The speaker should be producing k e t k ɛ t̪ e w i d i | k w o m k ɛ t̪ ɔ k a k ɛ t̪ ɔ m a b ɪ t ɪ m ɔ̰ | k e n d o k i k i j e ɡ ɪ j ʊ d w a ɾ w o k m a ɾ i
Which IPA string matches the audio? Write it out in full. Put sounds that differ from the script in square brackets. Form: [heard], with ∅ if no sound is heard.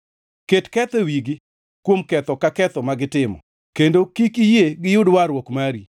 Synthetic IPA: k e t k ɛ t̪ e w i [ɡ] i | k w o m k ɛ t̪ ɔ k a k ɛ t̪ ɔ m a [ɡ] ɪ t ɪ m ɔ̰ | k e n d o k i k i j e ɡ ɪ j ʊ d w a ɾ w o k m a ɾ i